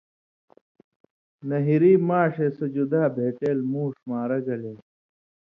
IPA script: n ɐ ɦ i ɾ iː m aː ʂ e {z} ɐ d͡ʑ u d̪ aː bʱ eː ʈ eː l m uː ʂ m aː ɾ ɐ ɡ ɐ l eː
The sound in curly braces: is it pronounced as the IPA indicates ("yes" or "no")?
no